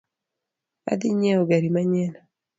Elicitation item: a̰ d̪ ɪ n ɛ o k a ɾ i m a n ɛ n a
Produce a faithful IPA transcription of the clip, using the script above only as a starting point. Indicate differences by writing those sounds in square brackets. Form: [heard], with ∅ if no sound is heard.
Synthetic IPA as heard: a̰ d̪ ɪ [ɲ] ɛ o [ɡ] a ɾ i m a [ɲ] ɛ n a